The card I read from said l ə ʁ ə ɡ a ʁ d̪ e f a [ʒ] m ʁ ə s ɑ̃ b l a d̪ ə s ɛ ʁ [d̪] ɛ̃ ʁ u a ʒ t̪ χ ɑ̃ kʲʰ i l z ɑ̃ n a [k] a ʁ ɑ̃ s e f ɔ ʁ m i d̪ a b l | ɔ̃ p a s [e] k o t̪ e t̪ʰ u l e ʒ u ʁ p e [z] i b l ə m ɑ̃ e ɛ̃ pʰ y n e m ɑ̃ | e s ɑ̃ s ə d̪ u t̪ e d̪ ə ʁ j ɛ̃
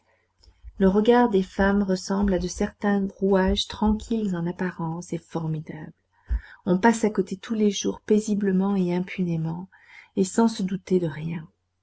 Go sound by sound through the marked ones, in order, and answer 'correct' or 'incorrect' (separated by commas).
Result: incorrect, incorrect, incorrect, incorrect, correct